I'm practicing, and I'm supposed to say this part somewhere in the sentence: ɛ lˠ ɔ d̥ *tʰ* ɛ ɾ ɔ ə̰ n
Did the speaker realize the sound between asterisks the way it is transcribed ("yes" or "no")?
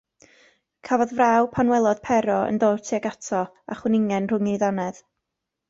no